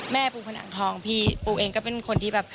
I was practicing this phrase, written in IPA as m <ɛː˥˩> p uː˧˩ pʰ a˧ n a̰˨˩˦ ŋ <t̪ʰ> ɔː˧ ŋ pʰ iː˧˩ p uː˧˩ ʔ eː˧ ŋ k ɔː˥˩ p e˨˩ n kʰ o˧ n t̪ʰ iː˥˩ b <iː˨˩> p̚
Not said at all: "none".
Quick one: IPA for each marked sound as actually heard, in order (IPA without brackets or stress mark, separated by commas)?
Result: ɛː˥˩, t̪ʰ, ɛː˨˩